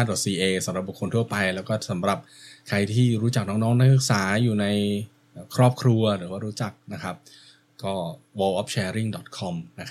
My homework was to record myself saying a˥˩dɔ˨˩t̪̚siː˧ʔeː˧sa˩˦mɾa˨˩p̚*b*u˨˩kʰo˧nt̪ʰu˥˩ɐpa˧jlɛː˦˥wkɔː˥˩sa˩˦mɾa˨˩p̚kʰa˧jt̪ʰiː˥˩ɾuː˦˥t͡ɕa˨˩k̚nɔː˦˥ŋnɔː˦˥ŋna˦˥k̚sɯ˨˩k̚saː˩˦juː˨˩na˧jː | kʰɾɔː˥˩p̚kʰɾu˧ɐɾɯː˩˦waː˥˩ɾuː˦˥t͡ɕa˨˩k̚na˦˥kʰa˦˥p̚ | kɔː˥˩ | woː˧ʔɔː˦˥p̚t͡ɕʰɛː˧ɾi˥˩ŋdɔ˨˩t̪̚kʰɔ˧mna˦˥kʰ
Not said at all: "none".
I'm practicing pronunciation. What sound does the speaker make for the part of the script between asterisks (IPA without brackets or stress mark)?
b